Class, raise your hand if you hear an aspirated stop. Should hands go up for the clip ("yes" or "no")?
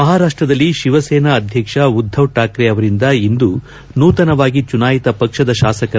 no